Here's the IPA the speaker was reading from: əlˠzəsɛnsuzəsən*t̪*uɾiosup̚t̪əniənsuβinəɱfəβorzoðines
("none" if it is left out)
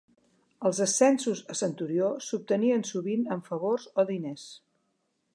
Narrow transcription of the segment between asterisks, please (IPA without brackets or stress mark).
t̪